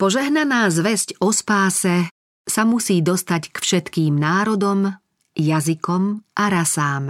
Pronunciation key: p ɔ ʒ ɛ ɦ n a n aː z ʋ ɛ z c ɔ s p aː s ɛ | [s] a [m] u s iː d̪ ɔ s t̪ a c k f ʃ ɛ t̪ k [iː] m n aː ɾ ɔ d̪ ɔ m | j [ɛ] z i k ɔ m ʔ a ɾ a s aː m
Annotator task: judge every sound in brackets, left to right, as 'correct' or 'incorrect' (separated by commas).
correct, correct, correct, incorrect